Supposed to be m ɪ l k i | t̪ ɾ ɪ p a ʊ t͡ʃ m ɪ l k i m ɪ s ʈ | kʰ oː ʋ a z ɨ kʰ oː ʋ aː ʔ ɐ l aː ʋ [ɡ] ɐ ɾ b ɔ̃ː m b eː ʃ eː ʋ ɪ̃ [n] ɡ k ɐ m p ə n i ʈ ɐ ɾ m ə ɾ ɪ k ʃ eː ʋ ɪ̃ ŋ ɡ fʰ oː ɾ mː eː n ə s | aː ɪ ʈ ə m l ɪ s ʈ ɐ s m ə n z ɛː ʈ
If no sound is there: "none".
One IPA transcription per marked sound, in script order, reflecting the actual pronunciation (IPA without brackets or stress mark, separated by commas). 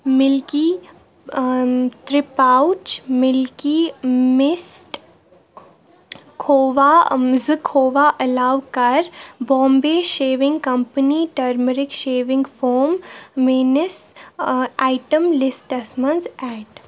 k, ŋ